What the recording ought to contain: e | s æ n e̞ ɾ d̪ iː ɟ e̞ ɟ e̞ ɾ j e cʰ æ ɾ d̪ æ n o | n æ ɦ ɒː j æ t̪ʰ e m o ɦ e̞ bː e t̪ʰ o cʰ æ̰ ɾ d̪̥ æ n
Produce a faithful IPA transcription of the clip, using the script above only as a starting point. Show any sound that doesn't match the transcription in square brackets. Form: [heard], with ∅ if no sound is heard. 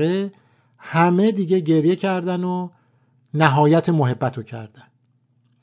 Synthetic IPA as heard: e | [h] æ [m] e̞ [∅] d̪ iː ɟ e̞ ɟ e̞ ɾ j e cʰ æ ɾ d̪ æ n o | n æ ɦ ɒː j æ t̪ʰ e m o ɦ e̞ bː [æ] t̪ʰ o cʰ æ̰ ɾ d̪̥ æ n